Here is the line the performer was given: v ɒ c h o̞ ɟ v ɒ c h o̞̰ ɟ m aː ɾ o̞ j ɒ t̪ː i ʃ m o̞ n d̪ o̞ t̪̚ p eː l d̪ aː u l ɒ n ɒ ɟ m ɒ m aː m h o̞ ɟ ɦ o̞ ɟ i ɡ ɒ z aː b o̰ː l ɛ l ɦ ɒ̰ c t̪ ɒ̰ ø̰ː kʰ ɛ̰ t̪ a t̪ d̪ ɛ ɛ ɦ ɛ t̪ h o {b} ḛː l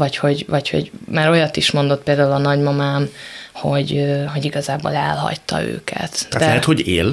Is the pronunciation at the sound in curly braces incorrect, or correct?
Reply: incorrect